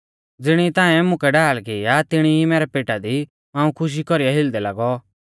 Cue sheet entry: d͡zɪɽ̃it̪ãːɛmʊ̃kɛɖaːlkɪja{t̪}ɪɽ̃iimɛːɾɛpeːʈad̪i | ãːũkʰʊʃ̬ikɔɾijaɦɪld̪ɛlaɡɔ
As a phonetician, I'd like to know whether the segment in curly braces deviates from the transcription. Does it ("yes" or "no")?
no